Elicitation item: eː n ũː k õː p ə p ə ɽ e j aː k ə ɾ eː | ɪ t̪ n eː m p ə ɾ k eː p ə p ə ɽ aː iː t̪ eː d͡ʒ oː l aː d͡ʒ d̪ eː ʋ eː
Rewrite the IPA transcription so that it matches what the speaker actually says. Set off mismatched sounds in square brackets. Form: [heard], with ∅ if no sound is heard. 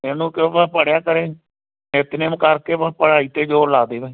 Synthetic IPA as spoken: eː n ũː k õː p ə p ə ɽ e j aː k ə ɾ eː | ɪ t̪ n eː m [k] ə ɾ k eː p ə p ə ɽ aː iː t̪ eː d͡ʒ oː l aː [∅] d̪ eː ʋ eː